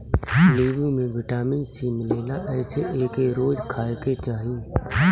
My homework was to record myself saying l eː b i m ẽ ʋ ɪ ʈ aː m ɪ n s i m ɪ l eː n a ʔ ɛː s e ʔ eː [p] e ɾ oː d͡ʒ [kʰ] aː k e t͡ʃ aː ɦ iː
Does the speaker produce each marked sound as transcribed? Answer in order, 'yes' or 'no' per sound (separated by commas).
no, yes